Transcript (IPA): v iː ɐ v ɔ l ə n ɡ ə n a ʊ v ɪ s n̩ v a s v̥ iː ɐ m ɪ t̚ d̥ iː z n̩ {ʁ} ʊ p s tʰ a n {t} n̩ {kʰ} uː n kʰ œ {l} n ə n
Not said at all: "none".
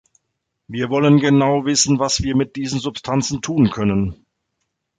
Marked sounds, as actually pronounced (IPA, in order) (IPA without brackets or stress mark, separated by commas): z, t͡s, tʰ, none